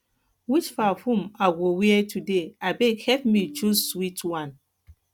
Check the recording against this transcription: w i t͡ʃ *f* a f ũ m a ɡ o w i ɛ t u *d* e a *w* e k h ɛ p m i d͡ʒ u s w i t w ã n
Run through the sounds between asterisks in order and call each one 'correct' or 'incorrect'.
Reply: correct, correct, incorrect: b

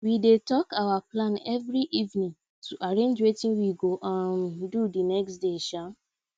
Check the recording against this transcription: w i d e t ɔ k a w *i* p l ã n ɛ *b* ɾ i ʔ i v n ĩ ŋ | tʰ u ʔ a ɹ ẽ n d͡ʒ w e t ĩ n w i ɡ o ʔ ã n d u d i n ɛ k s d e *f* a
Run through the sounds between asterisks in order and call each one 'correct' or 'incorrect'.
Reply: incorrect: a, incorrect: v, incorrect: ʃ

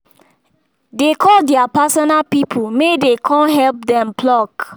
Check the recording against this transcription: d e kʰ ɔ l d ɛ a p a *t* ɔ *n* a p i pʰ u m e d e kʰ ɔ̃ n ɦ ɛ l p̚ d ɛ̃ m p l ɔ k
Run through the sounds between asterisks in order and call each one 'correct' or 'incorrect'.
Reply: incorrect: s, correct

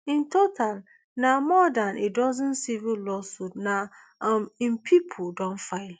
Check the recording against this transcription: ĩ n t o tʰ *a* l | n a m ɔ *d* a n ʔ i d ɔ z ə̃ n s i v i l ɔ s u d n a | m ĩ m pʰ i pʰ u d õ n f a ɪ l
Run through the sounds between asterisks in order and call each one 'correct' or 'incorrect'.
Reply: correct, correct

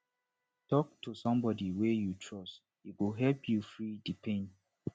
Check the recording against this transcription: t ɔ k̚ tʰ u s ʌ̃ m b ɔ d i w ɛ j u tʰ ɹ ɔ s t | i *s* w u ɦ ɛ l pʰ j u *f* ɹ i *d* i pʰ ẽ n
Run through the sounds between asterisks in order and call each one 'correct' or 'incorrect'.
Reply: incorrect: none, correct, correct

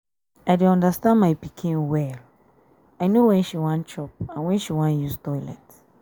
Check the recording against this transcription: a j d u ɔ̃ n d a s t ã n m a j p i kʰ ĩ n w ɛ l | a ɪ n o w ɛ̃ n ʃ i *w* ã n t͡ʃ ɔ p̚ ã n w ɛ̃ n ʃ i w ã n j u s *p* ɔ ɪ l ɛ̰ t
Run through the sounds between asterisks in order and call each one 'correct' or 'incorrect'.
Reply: correct, incorrect: t

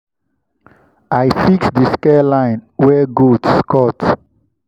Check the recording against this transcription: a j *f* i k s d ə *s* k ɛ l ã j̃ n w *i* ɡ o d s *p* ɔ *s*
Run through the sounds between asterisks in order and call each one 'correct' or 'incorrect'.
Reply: correct, correct, incorrect: ɛ, incorrect: k, incorrect: t

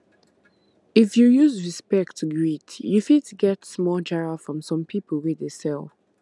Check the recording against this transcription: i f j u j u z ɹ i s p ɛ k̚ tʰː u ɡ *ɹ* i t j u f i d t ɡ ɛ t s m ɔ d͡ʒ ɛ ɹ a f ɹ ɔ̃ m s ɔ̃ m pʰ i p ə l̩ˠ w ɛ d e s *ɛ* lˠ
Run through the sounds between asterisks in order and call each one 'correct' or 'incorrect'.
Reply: correct, correct

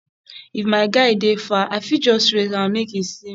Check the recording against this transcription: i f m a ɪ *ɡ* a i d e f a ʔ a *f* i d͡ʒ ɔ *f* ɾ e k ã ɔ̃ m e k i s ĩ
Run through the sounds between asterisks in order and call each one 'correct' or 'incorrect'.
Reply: correct, correct, incorrect: s

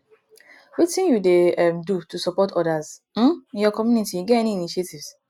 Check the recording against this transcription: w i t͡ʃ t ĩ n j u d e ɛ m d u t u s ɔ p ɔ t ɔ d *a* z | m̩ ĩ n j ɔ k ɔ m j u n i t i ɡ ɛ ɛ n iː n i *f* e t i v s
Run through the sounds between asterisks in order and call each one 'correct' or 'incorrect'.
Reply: correct, incorrect: ʃ

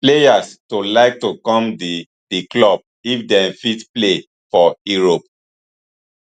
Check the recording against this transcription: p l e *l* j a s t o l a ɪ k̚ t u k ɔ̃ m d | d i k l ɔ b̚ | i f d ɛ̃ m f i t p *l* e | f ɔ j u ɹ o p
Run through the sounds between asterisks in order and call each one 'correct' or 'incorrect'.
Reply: incorrect: none, correct

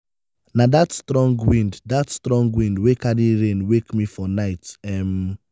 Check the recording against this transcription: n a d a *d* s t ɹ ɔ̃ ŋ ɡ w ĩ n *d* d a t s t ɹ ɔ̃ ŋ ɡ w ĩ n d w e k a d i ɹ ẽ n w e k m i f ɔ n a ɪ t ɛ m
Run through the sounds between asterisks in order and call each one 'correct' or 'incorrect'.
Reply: incorrect: t, correct

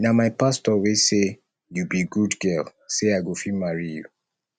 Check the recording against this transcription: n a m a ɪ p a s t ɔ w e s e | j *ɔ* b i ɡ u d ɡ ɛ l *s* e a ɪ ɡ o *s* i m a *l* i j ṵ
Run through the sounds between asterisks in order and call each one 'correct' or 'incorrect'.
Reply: incorrect: u, correct, incorrect: f, incorrect: ɹ

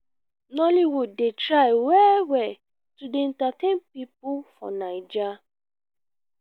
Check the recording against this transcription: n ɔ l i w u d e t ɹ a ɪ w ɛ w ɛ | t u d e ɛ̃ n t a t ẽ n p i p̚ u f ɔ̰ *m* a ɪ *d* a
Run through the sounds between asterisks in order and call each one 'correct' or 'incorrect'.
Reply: incorrect: n, incorrect: d͡ʒ

